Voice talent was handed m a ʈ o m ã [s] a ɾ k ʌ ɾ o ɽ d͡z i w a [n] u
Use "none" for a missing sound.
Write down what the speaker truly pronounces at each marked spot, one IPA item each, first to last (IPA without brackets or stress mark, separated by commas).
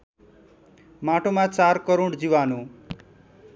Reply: t͡s, n